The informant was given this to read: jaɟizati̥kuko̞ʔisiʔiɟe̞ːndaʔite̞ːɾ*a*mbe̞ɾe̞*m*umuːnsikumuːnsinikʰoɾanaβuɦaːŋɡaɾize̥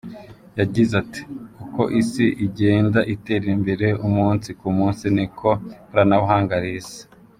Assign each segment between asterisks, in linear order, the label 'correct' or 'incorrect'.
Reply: incorrect: i, incorrect: none

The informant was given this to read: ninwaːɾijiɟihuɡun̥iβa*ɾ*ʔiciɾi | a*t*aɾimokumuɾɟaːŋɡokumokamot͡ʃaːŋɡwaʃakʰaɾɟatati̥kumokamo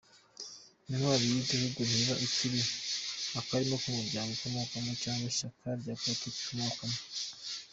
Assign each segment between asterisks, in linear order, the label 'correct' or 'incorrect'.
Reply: incorrect: none, incorrect: k

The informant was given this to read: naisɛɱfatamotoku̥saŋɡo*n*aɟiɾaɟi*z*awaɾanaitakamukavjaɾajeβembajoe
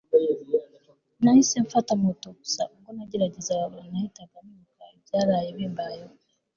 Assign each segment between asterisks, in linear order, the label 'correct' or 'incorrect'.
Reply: correct, correct

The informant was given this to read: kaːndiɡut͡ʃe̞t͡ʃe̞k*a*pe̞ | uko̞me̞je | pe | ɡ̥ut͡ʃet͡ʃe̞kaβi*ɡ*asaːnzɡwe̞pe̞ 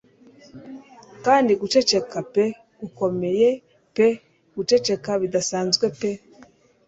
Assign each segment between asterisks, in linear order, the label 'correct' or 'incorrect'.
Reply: correct, incorrect: d

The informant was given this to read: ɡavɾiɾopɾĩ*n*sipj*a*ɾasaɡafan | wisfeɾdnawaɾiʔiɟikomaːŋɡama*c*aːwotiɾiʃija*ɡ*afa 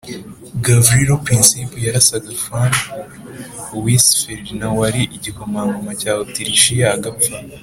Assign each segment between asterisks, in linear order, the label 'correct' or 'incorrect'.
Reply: correct, correct, correct, correct

